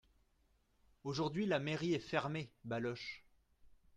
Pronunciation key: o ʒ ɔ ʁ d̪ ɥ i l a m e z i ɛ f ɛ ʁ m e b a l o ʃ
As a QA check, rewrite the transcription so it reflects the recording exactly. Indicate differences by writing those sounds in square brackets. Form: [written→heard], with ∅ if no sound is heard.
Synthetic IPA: o ʒ [ɔ→u] ʁ d̪ ɥ i l a m e [z→ʁ] i ɛ f ɛ ʁ m e b a l [o→ɔ] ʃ